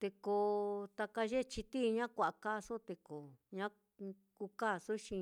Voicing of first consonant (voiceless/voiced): voiceless